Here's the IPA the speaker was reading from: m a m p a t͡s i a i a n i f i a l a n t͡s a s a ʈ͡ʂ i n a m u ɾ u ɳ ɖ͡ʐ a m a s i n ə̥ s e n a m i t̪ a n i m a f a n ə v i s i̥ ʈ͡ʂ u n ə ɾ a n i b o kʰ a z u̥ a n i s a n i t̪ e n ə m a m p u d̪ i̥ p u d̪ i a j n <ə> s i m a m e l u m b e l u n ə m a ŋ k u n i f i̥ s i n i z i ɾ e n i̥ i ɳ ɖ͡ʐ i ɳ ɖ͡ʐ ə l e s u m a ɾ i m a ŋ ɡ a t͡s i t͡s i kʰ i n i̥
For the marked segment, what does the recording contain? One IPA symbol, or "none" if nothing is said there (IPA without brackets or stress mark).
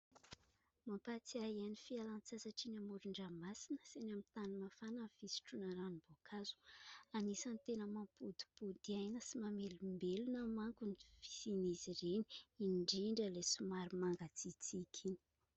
ə